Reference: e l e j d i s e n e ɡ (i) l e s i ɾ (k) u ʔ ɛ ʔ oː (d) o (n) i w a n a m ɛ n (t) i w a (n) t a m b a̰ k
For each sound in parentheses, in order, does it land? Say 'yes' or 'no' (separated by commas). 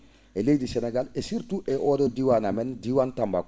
no, no, yes, no, no, yes